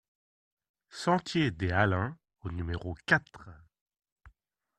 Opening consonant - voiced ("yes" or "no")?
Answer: no